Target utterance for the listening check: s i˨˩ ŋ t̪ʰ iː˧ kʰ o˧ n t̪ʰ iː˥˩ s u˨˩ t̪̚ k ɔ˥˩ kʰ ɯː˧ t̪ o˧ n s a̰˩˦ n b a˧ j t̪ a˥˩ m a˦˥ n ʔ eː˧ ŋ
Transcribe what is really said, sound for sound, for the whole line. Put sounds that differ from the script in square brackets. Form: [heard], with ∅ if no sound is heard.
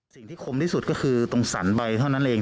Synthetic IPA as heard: s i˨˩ ŋ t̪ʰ [iː˥˩] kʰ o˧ [m] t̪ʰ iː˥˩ s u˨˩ t̪̚ k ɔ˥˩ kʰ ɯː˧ t̪ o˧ [ŋ] s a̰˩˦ n b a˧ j [t̪ʰ] a˥˩ [n] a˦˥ n ʔ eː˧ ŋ